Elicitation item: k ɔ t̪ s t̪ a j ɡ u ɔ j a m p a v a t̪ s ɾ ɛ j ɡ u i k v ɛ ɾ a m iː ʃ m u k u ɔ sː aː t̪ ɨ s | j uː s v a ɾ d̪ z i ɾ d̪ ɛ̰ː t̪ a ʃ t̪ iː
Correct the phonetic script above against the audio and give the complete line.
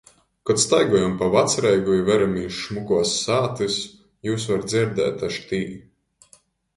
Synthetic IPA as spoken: k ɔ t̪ s t̪ a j ɡ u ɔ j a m p a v a t̪ s ɾ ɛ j ɡ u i v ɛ ɾ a m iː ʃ m u k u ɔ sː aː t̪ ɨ s | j uː s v a ɾ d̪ z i ɾ d̪ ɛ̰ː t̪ a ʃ t̪ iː